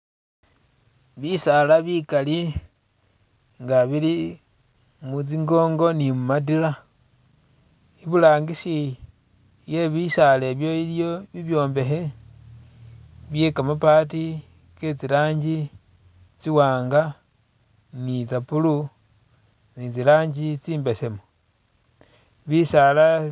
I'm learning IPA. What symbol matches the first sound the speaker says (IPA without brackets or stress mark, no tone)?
β